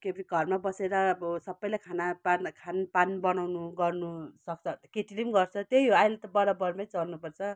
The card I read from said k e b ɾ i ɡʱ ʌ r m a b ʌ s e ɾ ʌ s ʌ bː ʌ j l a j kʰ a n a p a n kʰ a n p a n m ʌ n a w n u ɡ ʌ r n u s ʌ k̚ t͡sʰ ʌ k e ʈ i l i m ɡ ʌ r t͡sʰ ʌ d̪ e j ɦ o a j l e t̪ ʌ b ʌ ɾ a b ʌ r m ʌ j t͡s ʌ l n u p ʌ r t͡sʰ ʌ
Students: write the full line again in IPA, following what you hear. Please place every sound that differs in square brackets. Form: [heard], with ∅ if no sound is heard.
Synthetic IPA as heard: k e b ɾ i ɡʱ ʌ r m a b ʌ s e ɾ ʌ s ʌ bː ʌ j l a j kʰ a n a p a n kʰ a n p a n [b] ʌ n a w n u ɡ ʌ r n u s ʌ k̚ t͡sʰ ʌ k e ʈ i l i m ɡ ʌ r t͡sʰ ʌ [t̪] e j ɦ o a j l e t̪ ʌ b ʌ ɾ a b ʌ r m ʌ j t͡s ʌ l n u p ʌ r t͡sʰ ʌ

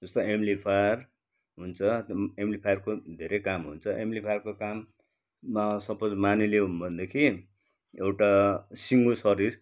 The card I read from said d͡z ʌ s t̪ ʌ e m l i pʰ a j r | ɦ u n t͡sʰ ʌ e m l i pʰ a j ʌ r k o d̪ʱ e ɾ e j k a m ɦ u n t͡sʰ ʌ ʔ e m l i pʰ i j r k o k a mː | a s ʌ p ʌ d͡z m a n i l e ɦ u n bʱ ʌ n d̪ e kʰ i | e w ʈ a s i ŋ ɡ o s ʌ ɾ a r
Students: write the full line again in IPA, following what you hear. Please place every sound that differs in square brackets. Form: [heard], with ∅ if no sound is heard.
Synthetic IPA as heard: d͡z ʌ s t̪ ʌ e m l i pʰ a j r | ɦ u n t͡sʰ ʌ e m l i pʰ a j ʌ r k o d̪ʱ e ɾ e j k a m ɦ u n t͡sʰ ʌ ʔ e m l i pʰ [a] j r k o k a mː | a s ʌ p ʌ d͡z m a n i l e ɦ u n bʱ ʌ n d̪ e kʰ i | e w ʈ a s i ŋ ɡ o s ʌ ɾ [i] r

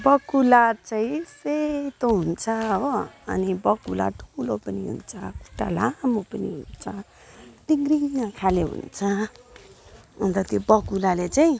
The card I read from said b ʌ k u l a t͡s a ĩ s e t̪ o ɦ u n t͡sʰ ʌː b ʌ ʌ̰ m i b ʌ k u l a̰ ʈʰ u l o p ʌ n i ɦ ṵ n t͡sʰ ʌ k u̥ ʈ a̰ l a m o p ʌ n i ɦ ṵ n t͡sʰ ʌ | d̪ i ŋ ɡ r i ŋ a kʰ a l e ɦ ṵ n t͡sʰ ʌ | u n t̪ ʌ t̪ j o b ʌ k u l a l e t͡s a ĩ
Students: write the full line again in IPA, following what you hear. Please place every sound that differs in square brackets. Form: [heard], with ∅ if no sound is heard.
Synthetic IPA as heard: b ʌ k u l a t͡s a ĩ s e t̪ o ɦ u n t͡sʰ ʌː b ʌ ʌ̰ [n] i b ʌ k u l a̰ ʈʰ u l o p ʌ n i ɦ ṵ n t͡sʰ ʌ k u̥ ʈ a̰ l a m o p ʌ n i ɦ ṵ n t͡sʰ ʌ | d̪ i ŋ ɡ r i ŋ a kʰ a l e ɦ ṵ n t͡sʰ ʌ | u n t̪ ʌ t̪ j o b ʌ k u l a l e t͡s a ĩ

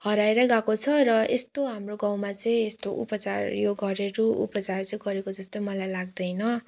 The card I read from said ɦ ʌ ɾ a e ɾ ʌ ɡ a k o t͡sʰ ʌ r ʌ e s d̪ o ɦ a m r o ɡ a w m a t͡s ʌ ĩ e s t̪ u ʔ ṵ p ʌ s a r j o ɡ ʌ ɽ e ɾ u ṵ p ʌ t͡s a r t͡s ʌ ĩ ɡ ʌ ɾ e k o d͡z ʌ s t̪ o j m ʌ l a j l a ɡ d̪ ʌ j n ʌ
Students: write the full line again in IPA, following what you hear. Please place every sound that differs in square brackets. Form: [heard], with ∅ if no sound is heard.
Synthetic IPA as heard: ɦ ʌ ɾ a e ɾ ʌ ɡ a k o t͡sʰ ʌ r ʌ e s [t̪] o ɦ a m r o ɡ a w m a t͡s ʌ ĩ e s t̪ [o] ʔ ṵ p ʌ [t͡s] a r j o ɡ ʌ [ɾ] e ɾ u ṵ p ʌ t͡s a r t͡s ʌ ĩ ɡ ʌ ɾ e k o d͡z ʌ s t̪ o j m ʌ l a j l a ɡ d̪ ʌ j n ʌ

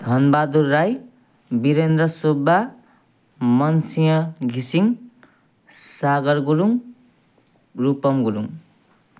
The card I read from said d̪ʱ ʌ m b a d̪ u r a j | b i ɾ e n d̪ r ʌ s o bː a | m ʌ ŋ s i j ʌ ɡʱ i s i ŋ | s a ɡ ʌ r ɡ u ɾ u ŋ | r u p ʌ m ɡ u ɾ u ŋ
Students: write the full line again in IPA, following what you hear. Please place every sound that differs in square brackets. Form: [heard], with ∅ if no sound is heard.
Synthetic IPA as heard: d̪ʱ ʌ [n] b a d̪ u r a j | b i ɾ e n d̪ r ʌ s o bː a | m ʌ [n] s i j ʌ ɡʱ i s i ŋ | s a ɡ ʌ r ɡ u ɾ u ŋ | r u p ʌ m ɡ u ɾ u ŋ

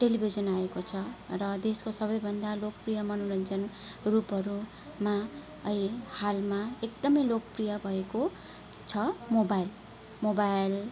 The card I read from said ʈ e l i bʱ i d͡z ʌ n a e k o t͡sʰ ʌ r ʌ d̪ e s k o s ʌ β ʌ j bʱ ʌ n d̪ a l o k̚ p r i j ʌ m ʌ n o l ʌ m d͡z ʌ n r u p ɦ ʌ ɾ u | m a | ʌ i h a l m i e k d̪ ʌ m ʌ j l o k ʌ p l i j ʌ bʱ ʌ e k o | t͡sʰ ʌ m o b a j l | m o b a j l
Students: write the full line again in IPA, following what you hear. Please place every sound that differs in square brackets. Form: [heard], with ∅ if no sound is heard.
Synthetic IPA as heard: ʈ e l i bʱ i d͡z ʌ n a e k o t͡sʰ ʌ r ʌ d̪ e s k o s ʌ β ʌ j bʱ ʌ n d̪ a l o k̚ p r i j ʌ m ʌ n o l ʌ [n] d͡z ʌ n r u p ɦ ʌ ɾ u | m a | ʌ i h a l m [a] e k d̪ ʌ m ʌ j l o k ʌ p [r] i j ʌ bʱ ʌ e k o | t͡sʰ ʌ m o b a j l | m o b a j l

